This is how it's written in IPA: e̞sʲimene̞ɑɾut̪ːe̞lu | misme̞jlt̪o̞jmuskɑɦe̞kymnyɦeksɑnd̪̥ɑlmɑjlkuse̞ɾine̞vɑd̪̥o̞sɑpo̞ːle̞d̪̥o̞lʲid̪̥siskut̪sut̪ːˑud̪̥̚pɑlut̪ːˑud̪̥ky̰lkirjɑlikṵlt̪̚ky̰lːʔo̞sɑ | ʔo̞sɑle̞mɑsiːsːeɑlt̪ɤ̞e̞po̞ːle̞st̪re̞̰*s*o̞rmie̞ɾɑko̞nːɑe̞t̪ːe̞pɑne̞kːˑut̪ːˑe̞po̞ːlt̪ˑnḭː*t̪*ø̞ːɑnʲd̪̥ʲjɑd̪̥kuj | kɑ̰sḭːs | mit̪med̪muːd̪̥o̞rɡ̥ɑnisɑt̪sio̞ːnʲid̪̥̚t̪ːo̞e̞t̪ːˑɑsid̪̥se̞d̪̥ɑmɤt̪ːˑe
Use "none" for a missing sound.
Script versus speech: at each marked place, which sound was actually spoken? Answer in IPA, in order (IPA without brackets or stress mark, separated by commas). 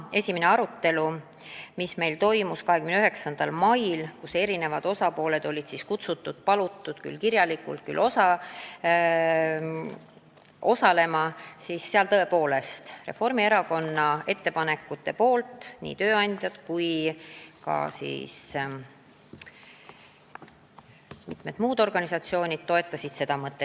f, t̪